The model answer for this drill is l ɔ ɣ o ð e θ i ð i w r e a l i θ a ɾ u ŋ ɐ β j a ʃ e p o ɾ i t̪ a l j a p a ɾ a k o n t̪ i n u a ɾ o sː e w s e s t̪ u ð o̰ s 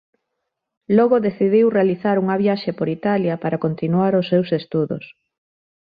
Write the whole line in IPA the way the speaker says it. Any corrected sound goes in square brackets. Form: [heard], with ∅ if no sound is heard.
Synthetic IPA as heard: l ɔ ɣ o ð e θ i ð i w r e a l i θ a ɾ u ŋ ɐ β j a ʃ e p o ɾ i t̪ a l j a p a ɾ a k o n t̪ i n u a ɾ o sː e w s e s t̪ u ð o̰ s